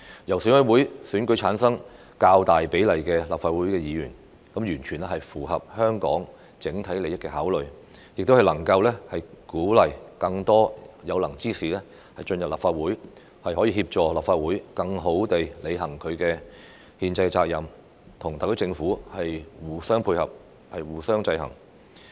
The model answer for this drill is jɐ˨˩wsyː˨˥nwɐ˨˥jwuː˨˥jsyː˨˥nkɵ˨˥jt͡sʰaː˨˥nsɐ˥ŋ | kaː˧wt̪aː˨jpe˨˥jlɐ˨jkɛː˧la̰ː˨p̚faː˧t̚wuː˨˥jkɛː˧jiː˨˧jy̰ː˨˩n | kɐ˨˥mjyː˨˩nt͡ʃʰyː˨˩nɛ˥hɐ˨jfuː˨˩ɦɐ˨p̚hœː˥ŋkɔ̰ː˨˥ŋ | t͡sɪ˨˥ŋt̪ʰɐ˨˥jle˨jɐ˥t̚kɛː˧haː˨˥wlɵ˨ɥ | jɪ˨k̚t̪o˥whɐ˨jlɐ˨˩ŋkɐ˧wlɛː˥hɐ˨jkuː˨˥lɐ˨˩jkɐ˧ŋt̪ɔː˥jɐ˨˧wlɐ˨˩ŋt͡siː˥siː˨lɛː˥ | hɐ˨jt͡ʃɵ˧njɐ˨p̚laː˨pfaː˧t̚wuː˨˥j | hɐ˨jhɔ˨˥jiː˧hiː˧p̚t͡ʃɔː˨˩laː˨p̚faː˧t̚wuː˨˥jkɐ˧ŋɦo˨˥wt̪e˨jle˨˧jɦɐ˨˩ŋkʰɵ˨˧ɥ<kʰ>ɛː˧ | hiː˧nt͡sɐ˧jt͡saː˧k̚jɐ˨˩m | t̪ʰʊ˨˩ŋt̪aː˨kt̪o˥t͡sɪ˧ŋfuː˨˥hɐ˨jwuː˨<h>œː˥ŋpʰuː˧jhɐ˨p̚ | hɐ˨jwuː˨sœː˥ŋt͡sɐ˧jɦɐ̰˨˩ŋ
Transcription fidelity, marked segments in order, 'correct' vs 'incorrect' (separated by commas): incorrect, incorrect